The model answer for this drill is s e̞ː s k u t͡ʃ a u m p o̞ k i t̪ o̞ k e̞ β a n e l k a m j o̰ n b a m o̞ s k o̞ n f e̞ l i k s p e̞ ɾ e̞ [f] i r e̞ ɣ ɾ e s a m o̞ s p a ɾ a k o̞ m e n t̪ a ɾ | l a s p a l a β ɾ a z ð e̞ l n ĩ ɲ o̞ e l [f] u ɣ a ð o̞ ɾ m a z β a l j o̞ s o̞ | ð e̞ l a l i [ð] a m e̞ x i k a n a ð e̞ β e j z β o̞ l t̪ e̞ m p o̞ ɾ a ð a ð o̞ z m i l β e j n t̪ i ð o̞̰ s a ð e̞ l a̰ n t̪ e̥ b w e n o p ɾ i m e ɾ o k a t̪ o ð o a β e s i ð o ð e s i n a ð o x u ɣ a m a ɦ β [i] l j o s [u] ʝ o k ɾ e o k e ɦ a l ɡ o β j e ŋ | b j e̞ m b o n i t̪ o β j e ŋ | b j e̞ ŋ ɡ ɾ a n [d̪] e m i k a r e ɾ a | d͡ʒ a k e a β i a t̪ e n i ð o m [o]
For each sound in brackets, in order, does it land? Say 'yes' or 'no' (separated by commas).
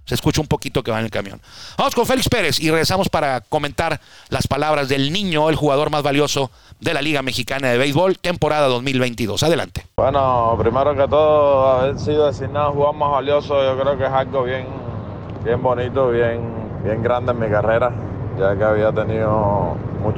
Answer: no, no, no, no, no, yes, no